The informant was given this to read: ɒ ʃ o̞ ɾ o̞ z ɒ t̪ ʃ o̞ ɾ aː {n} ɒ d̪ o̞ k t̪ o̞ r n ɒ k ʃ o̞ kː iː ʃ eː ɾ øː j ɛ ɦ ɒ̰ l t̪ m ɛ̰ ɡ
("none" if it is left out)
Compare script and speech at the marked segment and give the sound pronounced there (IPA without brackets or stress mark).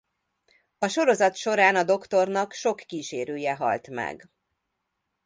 n